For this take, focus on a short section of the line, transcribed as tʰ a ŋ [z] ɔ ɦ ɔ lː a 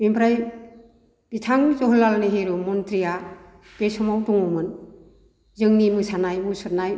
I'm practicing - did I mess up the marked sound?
no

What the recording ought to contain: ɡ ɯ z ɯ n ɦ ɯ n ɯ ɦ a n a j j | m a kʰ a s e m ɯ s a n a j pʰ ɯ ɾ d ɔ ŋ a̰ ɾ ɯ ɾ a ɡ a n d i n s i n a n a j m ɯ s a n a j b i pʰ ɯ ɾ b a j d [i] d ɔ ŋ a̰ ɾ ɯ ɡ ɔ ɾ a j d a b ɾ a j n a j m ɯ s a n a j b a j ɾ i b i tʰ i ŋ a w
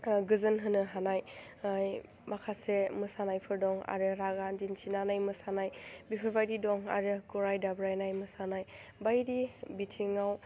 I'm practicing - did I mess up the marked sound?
no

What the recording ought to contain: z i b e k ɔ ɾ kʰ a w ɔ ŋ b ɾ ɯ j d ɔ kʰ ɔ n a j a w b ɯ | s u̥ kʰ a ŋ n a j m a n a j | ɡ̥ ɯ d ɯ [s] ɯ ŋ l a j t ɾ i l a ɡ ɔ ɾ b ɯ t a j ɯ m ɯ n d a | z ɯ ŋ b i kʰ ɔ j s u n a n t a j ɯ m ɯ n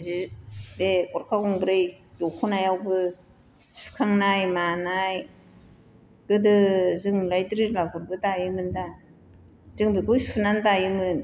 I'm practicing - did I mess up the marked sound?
yes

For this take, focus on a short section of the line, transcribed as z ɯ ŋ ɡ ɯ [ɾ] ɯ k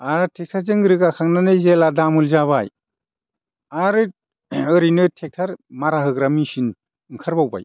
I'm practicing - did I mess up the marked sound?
no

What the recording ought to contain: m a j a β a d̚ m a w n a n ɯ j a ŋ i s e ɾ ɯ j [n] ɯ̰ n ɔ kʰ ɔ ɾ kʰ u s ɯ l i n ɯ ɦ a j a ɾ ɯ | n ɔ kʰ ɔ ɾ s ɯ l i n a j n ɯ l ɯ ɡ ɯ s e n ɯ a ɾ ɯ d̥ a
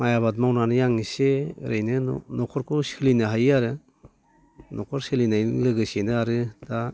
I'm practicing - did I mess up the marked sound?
no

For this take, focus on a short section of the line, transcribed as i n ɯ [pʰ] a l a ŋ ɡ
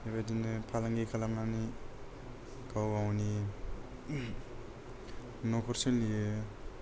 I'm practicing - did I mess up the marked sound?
no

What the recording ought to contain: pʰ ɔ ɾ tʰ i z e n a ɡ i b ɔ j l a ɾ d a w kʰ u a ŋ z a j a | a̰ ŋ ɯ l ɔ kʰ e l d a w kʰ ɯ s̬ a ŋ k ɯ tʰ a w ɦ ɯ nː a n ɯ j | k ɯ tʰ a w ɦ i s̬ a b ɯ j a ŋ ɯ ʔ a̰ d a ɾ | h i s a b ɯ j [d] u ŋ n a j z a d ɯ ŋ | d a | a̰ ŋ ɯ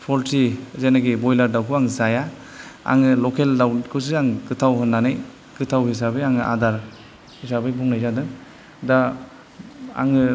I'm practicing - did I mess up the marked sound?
yes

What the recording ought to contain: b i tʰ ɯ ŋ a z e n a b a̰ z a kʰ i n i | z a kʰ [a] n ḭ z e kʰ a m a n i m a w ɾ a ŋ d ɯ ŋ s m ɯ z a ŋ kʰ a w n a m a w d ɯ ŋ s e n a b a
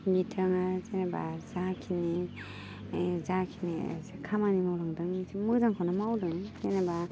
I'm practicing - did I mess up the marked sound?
yes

